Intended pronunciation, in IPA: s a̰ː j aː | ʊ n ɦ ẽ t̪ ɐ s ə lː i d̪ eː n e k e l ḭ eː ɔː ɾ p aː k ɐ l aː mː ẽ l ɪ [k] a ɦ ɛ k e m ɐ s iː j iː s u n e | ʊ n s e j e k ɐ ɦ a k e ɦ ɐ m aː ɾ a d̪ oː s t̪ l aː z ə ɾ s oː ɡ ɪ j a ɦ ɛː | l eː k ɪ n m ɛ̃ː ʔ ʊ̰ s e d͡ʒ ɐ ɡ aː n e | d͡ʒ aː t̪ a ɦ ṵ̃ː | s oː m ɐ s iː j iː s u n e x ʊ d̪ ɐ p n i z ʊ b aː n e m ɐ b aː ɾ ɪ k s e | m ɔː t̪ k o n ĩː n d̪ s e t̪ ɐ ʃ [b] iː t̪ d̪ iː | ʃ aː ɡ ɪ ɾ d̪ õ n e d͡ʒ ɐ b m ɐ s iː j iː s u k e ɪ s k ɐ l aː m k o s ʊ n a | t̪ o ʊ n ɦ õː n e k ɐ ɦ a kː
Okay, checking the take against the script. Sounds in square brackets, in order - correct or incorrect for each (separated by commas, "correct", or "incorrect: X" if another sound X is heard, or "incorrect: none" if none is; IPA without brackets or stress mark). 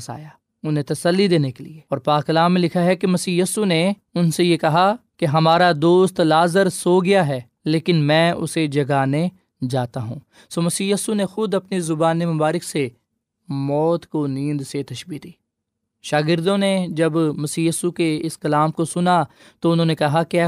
incorrect: kʰ, correct